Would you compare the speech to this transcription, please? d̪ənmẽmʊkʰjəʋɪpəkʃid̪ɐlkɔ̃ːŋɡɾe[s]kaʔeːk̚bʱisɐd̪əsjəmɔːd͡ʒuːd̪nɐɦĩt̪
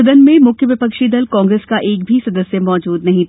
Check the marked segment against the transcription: correct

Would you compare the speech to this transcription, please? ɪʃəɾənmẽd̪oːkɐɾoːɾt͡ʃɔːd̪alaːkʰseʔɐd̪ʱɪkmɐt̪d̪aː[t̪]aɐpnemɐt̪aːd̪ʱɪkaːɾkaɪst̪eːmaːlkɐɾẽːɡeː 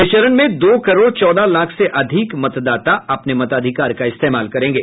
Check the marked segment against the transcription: correct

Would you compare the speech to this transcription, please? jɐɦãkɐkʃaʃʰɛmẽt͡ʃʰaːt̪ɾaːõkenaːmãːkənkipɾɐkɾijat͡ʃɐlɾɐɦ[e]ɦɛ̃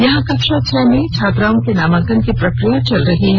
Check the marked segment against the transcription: incorrect: i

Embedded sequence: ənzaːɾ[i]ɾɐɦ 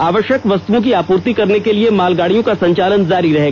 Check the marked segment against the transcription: correct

